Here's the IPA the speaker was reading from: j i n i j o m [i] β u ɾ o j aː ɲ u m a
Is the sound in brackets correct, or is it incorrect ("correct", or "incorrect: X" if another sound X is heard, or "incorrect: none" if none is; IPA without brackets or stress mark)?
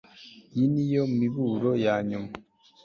correct